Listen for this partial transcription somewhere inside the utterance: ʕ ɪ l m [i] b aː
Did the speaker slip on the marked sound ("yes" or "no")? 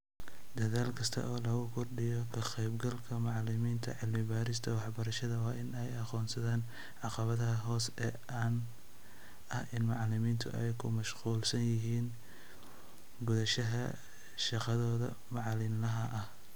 yes